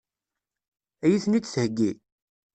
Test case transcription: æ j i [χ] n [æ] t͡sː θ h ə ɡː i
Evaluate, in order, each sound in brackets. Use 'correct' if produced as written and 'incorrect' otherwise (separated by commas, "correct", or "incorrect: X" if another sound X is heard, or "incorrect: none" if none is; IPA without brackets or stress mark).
incorrect: θ, incorrect: i